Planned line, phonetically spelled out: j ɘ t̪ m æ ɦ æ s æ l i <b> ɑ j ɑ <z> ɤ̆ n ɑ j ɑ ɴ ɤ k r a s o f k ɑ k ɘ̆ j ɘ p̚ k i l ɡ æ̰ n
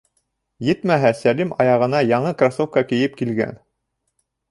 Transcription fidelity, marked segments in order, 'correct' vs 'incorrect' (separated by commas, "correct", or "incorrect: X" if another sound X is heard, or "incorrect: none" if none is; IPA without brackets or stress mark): incorrect: m, incorrect: ʁ